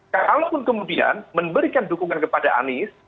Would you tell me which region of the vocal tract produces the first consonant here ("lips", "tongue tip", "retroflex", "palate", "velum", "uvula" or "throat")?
velum